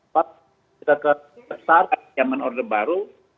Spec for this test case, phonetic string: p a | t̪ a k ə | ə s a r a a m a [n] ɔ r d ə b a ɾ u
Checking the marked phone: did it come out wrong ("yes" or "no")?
no